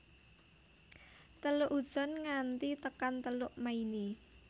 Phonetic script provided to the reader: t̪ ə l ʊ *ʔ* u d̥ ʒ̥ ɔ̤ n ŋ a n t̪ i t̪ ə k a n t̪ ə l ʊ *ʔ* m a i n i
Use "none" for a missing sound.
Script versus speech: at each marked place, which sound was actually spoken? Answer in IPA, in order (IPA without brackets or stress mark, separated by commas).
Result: ʔ, ʔ